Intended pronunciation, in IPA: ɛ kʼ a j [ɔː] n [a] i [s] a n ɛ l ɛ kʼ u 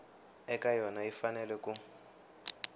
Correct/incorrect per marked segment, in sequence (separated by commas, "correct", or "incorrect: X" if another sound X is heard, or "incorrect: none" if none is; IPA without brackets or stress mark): incorrect: ɔ, correct, incorrect: f